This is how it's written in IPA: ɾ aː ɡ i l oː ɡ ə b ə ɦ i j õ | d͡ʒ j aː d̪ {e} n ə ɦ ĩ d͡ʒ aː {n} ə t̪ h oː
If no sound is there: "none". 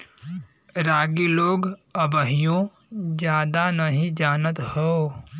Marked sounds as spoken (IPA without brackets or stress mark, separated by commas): a, n